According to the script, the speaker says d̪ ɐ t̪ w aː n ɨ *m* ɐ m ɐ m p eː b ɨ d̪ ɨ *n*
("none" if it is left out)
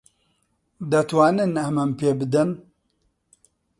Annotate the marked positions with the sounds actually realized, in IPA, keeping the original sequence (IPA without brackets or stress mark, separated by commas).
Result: n, n